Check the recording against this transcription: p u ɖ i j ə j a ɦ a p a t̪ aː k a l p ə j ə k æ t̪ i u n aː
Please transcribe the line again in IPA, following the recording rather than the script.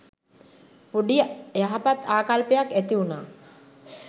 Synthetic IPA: p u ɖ i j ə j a ɦ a p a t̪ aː k a l p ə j a k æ t̪ i u n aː